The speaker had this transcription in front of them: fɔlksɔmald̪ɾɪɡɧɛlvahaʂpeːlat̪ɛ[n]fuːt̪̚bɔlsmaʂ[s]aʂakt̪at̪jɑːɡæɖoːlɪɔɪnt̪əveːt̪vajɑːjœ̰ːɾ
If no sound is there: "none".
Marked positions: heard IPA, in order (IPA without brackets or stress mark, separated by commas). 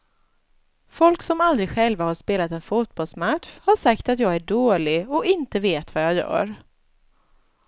n, h